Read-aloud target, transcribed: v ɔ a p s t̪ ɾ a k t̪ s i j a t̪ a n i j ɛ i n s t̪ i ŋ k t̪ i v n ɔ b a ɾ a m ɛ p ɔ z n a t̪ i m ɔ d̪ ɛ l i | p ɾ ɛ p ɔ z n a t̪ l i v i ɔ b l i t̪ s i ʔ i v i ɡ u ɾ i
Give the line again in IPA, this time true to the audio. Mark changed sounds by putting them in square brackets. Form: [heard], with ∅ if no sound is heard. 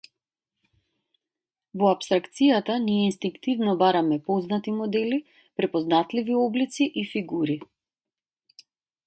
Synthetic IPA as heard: v ɔ a p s t̪ ɾ a k t̪ s i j a t̪ a n i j ɛ i n s t̪ i ŋ k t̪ i v n ɔ b a ɾ a m ɛ p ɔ z n a t̪ i m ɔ d̪ ɛ l i | p ɾ ɛ p ɔ z n a t̪ l i v i ɔ b l i t̪ s i ʔ i [f] i ɡ u ɾ i

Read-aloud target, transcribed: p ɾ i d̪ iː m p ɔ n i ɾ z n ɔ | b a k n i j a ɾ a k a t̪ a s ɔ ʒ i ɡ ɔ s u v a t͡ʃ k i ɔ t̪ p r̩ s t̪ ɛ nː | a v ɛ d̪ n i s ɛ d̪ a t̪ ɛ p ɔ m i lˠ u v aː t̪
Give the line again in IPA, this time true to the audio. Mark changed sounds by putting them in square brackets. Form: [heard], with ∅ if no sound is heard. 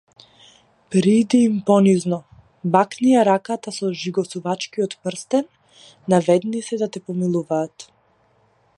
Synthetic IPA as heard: p ɾ i d̪ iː m p ɔ n i [∅] z n ɔ | b a k n i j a ɾ a k a t̪ a s ɔ ʒ i ɡ ɔ s u v a t͡ʃ k i ɔ t̪ p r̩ s t̪ ɛ nː | a v ɛ d̪ n i s ɛ d̪ a t̪ ɛ p ɔ m i lˠ u v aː t̪

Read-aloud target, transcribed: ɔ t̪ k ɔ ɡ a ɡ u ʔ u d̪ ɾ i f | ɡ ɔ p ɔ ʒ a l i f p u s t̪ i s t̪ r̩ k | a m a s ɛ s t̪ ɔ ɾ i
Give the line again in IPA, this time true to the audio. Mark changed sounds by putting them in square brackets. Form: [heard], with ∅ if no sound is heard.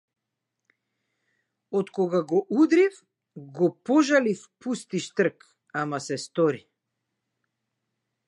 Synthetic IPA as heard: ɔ t̪ k ɔ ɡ a ɡ [ɔ] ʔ u d̪ ɾ i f | ɡ ɔ p ɔ ʒ a l i f p u s t̪ i [ʃ] t̪ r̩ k | a m a s ɛ s t̪ ɔ ɾ i

